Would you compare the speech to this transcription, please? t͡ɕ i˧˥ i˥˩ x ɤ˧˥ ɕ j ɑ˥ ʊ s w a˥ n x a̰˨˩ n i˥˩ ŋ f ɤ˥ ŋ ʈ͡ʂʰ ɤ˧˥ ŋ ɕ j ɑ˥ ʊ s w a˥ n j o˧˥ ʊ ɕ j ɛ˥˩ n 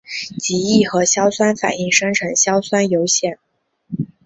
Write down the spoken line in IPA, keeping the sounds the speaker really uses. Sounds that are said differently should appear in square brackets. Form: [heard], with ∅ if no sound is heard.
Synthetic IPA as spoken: t͡ɕ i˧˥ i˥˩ x ɤ˧˥ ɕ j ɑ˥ ʊ s w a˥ n [f] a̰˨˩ n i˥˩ ŋ [ʂ] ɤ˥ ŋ ʈ͡ʂʰ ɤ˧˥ ŋ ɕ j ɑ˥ ʊ s w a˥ n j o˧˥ ʊ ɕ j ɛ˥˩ n